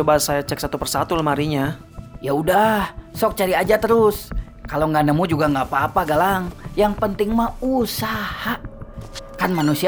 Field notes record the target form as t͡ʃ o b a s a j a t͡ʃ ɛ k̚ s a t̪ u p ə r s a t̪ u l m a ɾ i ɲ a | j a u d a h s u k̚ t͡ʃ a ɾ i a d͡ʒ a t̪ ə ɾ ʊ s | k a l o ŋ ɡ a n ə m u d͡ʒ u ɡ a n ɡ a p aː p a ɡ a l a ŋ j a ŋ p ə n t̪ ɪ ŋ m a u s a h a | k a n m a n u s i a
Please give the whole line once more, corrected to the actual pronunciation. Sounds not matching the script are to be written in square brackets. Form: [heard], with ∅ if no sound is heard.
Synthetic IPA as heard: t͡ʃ o b a s a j a t͡ʃ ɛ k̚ s a t̪ u p ə r s a t̪ u l m a ɾ i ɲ a | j a u d a h s [ɔ] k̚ t͡ʃ a ɾ i a d͡ʒ a t̪ ə ɾ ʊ s | k a l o ŋ ɡ a n ə m u d͡ʒ u ɡ a [ŋ] ɡ a p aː p a ɡ a l a ŋ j a ŋ p ə n t̪ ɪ ŋ m a u s a h a | k a n m a n u s i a